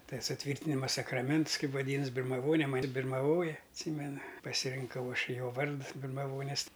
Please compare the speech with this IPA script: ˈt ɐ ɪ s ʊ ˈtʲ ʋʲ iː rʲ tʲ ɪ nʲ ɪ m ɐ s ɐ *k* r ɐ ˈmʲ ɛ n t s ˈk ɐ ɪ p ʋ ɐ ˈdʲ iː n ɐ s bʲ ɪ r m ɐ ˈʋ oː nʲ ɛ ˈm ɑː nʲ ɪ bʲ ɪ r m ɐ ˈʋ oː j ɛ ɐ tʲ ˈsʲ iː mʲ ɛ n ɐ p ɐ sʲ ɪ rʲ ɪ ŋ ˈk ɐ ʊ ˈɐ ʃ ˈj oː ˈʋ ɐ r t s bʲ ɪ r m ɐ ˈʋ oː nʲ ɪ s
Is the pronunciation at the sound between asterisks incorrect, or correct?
correct